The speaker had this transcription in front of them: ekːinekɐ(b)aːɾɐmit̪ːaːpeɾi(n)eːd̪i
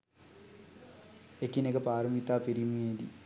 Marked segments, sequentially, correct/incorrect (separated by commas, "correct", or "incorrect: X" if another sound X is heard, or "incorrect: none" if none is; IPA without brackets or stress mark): incorrect: p, incorrect: m